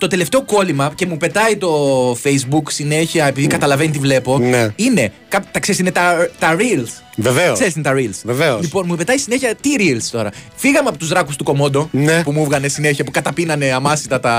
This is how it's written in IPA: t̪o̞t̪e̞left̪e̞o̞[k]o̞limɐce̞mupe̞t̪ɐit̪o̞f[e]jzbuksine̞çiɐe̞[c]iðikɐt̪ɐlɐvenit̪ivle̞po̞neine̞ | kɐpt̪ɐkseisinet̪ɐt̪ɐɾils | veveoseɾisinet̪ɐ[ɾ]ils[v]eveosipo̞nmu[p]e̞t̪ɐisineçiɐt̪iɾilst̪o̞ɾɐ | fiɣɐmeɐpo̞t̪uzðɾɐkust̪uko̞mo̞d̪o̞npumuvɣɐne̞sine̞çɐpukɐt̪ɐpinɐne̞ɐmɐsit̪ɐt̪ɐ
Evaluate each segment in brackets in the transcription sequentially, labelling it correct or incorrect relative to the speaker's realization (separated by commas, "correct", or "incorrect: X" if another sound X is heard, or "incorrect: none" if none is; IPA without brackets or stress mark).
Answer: correct, correct, incorrect: p, correct, correct, correct